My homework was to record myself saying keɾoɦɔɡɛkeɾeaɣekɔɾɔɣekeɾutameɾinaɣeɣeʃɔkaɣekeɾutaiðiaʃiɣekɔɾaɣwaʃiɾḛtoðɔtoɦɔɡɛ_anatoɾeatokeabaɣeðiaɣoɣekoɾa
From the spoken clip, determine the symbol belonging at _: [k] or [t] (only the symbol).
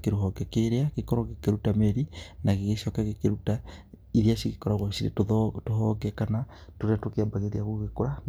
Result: k